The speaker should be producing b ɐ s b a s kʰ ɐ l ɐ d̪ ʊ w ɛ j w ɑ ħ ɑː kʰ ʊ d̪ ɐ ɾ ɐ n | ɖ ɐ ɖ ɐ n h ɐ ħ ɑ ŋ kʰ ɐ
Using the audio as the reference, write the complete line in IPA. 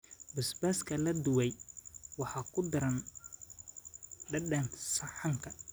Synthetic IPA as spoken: b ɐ s b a s kʰ ɐ l ɐ d̪ ʊ w ɛ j w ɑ ħ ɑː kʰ ʊ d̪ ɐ ɾ ɐ n | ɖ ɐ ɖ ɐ n s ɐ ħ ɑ ŋ kʰ ɐ